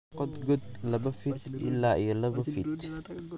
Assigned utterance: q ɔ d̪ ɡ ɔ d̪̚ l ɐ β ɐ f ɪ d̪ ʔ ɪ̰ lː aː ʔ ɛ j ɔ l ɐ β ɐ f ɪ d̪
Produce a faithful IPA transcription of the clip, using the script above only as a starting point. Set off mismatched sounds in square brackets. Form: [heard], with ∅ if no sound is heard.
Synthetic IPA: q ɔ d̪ ɡ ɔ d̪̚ l ɐ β ɐ f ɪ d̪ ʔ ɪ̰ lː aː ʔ [i] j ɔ l ɐ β ɐ f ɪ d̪